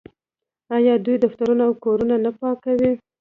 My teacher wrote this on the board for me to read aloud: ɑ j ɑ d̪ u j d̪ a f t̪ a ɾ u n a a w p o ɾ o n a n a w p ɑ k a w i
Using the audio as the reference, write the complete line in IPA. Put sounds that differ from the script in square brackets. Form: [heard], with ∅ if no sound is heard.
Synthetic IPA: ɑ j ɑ d̪ u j d̪ a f t̪ a ɾ u n a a w [k] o ɾ [u] n a n a [∅] p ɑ k a w i